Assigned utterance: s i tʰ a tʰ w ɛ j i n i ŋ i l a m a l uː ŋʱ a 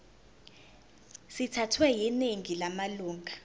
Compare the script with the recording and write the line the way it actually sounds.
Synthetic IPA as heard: s i tʰ a tʰ w ɛ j i n e ŋ i l a m a l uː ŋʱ a